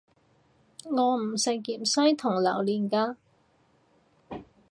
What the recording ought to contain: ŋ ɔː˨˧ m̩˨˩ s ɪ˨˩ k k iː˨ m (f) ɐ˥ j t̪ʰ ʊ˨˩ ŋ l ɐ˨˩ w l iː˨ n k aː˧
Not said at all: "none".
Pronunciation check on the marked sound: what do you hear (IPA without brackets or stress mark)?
s